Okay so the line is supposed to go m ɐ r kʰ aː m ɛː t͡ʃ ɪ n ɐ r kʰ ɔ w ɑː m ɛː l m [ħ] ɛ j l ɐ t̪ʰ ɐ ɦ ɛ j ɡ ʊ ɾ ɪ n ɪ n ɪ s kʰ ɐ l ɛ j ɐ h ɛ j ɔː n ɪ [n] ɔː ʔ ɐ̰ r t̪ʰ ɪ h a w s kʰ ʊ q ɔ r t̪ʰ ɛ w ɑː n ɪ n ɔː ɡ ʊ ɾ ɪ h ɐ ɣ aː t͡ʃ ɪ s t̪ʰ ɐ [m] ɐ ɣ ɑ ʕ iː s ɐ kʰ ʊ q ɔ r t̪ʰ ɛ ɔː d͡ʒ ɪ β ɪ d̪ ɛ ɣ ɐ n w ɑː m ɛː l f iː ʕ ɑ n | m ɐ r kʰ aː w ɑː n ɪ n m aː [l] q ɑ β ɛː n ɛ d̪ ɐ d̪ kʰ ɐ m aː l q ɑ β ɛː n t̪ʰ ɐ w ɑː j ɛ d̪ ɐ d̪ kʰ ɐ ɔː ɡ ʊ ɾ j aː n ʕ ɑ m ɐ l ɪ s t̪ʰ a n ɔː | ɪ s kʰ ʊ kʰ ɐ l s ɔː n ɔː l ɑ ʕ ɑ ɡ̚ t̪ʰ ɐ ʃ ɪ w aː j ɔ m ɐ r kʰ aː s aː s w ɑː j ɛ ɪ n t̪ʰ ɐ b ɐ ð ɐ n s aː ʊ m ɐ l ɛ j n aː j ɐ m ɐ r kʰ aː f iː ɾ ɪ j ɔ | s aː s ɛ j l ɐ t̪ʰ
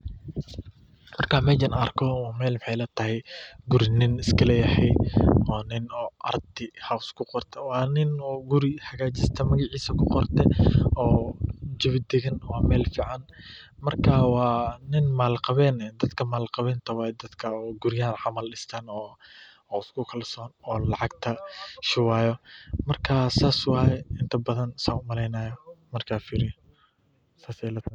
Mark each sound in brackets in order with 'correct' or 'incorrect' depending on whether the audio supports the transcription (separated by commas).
correct, correct, correct, correct